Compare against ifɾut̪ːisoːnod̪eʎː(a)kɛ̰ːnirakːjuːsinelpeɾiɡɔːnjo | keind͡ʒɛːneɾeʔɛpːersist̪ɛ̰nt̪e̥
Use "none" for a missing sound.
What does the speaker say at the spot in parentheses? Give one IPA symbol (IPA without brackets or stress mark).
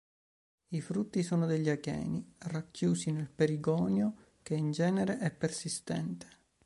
a